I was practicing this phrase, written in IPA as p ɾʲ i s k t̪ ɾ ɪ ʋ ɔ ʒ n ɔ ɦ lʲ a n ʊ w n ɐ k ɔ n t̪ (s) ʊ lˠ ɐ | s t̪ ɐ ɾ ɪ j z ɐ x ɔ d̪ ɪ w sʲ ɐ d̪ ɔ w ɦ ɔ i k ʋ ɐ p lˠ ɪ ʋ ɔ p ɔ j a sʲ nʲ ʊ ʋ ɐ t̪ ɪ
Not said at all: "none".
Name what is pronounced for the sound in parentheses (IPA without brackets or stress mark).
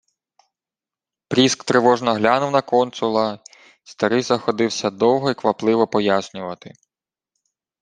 s